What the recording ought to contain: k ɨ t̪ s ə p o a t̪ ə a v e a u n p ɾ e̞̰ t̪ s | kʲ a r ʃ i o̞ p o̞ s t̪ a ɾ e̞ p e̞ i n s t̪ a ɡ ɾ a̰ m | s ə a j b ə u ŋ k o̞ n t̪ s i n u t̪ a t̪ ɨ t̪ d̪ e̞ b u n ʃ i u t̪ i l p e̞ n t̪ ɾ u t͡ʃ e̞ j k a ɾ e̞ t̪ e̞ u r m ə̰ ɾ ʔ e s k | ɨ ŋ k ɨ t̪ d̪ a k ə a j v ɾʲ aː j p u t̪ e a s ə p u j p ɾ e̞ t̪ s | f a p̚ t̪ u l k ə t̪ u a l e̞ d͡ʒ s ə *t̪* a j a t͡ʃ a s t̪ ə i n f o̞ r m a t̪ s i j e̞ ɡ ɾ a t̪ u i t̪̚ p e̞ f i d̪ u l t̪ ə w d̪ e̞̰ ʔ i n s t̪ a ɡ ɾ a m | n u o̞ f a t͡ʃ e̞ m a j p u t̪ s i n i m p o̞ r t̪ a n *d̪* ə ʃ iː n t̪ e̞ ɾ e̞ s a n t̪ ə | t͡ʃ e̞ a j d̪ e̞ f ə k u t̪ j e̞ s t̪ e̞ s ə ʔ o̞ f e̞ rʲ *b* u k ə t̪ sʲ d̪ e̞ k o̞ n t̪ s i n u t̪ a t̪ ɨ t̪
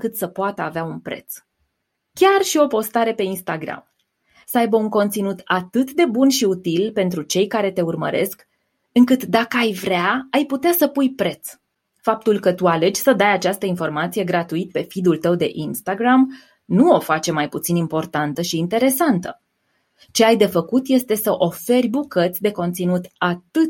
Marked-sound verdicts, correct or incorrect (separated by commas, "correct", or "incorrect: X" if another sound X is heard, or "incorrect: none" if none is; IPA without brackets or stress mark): incorrect: d̪, incorrect: t̪, correct